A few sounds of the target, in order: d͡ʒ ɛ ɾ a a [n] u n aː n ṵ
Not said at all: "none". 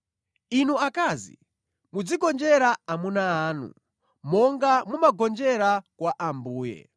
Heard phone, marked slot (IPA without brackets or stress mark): m